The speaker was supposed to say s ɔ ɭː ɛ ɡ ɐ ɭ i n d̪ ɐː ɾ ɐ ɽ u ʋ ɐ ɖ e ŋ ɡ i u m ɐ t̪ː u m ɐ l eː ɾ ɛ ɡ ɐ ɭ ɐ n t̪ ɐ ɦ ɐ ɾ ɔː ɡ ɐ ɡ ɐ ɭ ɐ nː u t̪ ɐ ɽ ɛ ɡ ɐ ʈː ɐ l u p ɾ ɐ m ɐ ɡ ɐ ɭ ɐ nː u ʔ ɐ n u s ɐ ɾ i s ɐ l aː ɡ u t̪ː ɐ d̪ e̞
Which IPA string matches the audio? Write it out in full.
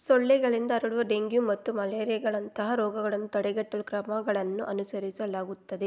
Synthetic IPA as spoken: s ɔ ɭː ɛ ɡ ɐ ɭ i n d̪ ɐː ɾ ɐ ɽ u ʋ ɐ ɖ e ŋ ɡ j u m ɐ t̪ː u m ɐ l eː ɾ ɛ ɡ ɐ ɭ ɐ n t̪ ɐ ɦ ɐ ɾ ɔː ɡ ɐ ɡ ɐ ɭ ɐ nː u t̪ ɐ ɽ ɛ ɡ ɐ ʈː ɐ l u k ɾ ɐ m ɐ ɡ ɐ ɭ ɐ nː u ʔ ɐ n u s ɐ ɾ i s ɐ l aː ɡ u t̪ː ɐ d̪ e̞